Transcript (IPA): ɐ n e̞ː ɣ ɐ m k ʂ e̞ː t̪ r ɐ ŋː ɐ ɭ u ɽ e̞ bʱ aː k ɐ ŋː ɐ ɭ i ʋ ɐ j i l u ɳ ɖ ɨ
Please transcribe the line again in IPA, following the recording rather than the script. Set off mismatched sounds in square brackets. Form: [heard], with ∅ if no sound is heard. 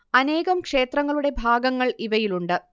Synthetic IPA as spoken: ɐ n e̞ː ɣ ɐ m k ʂ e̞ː t̪ r ɐ ŋː ɐ ɭ u ɽ e̞ bʱ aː [ɡ] ɐ ŋː ɐ ɭ i ʋ ɐ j i l u ɳ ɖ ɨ